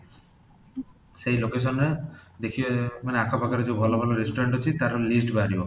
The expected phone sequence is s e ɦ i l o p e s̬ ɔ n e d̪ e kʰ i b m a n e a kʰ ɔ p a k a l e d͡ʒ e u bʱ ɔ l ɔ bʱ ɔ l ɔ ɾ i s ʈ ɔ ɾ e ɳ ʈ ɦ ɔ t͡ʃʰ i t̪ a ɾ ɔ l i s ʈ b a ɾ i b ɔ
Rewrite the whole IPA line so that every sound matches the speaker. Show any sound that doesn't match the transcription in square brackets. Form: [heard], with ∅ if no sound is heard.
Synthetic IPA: s e ɦ i l o [k] e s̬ ɔ n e d̪ e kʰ i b m a n e a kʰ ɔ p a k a [ɾ] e d͡ʒ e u bʱ ɔ l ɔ bʱ ɔ l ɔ ɾ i s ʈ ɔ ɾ e ɳ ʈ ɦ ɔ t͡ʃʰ i t̪ a ɾ ɔ l i s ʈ b a ɾ i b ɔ